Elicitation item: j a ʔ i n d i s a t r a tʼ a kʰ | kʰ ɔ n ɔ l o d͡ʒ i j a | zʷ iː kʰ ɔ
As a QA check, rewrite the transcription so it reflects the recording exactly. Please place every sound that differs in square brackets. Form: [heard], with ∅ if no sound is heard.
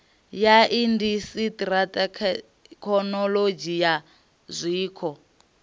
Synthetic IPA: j a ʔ i n d i s [i] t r a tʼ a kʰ | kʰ ɔ n ɔ l o d͡ʒ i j a | zʷ iː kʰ ɔ